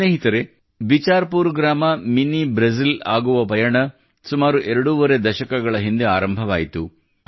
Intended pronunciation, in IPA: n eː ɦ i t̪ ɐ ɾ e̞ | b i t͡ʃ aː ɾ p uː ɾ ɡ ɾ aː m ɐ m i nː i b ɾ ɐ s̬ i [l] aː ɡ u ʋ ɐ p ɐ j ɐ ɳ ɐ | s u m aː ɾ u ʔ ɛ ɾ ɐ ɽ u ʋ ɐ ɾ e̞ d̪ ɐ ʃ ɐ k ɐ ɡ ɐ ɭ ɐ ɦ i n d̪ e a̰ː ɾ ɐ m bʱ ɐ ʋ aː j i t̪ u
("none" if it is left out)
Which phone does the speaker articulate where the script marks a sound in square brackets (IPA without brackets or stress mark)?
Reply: l